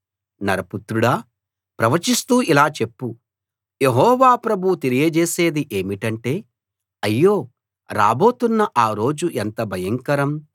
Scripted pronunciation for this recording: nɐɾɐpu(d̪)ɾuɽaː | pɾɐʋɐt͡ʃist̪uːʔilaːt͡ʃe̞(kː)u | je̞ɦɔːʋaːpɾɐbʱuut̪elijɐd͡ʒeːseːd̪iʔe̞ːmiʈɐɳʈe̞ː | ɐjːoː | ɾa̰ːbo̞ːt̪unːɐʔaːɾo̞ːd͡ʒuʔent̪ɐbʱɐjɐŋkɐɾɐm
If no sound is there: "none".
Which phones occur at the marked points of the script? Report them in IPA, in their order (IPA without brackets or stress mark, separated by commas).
t̪, pː